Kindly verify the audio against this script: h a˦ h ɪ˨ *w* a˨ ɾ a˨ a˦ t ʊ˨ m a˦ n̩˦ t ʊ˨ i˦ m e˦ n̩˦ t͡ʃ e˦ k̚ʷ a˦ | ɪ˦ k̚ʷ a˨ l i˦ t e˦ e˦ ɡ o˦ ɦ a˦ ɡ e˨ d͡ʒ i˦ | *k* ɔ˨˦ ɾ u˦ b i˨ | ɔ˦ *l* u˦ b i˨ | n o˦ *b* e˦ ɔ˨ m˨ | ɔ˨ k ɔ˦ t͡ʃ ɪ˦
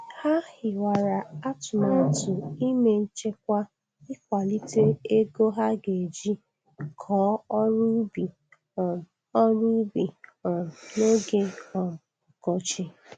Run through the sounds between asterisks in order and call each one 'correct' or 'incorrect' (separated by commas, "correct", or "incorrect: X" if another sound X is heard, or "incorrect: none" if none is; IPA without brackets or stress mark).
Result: correct, incorrect: kʰ, incorrect: ɾ, incorrect: ɡ